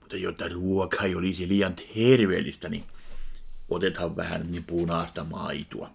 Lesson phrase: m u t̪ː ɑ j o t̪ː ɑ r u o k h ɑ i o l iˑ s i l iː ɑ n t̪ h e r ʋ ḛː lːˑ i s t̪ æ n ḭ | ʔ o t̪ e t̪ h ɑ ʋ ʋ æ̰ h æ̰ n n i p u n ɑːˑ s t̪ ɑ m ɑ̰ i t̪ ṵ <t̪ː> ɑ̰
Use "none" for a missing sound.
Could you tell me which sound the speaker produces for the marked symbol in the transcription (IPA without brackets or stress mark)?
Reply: none